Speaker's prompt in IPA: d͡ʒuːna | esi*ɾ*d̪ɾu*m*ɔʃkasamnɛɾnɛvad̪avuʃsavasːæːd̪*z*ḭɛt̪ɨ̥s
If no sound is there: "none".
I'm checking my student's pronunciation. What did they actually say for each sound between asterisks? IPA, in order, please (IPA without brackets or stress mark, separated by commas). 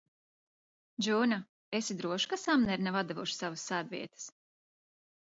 none, none, v